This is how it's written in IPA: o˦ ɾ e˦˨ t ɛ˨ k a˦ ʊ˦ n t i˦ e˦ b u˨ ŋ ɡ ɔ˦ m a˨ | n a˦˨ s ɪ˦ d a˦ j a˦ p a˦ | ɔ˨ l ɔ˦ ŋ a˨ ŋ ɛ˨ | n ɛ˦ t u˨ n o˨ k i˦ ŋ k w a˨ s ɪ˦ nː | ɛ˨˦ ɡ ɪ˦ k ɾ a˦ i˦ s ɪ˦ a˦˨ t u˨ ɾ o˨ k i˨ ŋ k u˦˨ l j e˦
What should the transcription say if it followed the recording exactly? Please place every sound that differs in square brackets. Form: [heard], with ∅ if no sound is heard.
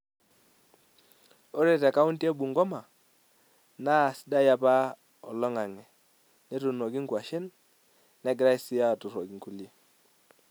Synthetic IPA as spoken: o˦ ɾ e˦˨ t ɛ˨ k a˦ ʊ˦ n t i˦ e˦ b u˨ ŋ ɡ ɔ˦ m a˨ | n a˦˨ s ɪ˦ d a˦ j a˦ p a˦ | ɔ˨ l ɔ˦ ŋ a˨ ŋ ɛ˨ | n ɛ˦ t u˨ n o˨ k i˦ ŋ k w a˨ [ʃ] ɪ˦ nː | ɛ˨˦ ɡ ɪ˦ [∅] ɾ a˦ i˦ s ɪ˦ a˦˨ t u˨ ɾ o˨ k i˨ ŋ k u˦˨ l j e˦